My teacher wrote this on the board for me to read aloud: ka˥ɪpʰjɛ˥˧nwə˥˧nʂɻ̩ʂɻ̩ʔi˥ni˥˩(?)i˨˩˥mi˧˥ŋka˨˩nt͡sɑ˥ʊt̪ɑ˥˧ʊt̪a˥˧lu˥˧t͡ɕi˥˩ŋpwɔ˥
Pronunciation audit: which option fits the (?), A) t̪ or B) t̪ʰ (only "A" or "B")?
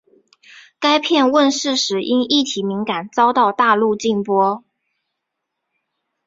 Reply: B